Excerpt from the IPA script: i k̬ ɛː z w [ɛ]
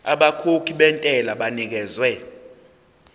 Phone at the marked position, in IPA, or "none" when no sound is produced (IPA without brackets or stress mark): ɛ